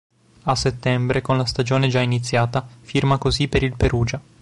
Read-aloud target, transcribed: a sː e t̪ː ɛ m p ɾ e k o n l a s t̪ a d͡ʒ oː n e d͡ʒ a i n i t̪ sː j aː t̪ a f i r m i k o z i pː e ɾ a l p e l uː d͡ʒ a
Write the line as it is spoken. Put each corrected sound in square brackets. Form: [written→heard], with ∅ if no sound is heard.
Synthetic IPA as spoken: a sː e t̪ː ɛ m [p→b] ɾ e k o n l a s t̪ a d͡ʒ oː n e d͡ʒ a i n i t̪ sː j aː t̪ a f i r m [i→a] k o z i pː e ɾ [a→i] l p e [l→ɾ] uː d͡ʒ a